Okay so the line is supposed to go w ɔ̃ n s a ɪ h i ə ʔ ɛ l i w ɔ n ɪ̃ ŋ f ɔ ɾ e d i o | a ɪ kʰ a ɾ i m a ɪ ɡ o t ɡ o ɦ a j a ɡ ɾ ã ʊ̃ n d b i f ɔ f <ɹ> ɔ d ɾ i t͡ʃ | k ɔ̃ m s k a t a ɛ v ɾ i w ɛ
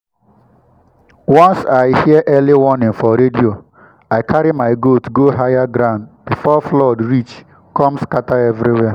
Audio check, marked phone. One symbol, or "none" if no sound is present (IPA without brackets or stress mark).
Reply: l